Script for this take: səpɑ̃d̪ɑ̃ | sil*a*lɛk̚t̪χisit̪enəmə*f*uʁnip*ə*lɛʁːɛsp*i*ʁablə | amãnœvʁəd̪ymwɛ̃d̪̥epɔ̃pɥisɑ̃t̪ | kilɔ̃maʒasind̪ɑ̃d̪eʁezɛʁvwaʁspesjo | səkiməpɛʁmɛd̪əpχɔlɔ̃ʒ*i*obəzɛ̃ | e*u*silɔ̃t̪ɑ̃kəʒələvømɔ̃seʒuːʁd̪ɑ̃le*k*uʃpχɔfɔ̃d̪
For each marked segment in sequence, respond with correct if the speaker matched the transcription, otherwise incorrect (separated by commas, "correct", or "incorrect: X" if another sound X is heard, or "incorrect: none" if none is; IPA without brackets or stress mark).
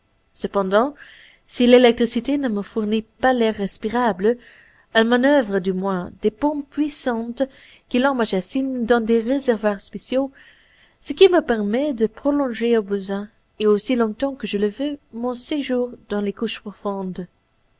incorrect: e, correct, incorrect: a, correct, incorrect: e, incorrect: o, correct